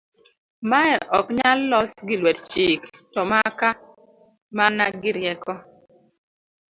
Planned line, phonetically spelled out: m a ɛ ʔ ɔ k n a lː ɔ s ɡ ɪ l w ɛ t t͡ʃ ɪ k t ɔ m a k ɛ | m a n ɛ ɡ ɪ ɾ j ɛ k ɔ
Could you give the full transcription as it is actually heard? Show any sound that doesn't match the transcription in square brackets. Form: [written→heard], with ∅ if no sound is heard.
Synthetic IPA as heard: m a ɛ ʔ ɔ k [n→ɲ] a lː ɔ s ɡ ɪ l w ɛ t t͡ʃ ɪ k t ɔ m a k [ɛ→a] | m a n [ɛ→a] ɡ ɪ ɾ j ɛ k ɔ